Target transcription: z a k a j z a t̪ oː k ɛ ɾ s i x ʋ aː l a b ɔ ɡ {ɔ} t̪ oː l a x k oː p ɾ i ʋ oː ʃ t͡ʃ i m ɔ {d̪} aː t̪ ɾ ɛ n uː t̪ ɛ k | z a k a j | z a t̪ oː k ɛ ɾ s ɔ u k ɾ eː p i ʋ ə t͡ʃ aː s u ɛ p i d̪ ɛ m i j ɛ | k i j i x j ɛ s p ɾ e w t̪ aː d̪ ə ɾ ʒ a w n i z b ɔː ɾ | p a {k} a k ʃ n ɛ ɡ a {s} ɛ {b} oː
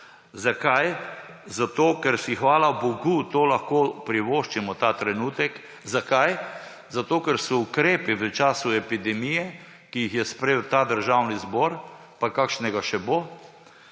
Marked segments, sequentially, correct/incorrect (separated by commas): incorrect, incorrect, correct, incorrect, correct